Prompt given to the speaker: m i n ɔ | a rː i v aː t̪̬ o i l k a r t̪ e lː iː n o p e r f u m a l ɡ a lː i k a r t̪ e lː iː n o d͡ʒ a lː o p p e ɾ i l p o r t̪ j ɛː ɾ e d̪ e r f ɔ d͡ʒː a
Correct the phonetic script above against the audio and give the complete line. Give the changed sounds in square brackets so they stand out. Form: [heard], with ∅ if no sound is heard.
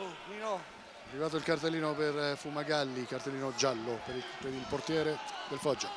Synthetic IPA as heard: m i n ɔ | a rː i v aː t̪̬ o i l k a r t̪ e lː iː n o p e r f u m a [∅] ɡ a lː i k a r t̪ e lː iː n o d͡ʒ a lː o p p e ɾ i l p o r t̪ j ɛː ɾ e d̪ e [l] f ɔ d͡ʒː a